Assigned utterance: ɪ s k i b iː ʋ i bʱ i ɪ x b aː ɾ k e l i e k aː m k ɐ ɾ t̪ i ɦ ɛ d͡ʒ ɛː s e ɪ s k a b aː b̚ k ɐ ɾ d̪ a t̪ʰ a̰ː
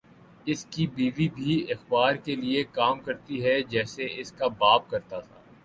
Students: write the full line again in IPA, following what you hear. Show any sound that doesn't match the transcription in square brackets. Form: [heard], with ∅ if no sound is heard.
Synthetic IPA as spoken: ɪ s k i b iː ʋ i bʱ i ɪ x b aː ɾ k e l i e k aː m k ɐ ɾ t̪ i ɦ ɛ d͡ʒ ɛː s e ɪ s k a b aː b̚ k ɐ ɾ [t̪] a t̪ʰ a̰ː